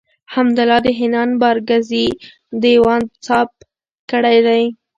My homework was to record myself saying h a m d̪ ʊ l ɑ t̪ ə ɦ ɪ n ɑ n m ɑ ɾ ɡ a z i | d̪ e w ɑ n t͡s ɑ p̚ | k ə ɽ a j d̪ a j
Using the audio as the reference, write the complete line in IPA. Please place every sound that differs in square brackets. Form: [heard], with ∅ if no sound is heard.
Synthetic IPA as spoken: h a m d̪ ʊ l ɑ [d̪] ə ɦ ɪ n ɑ n [b] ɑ ɾ ɡ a z i | d̪ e w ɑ n t͡s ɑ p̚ | k ə ɽ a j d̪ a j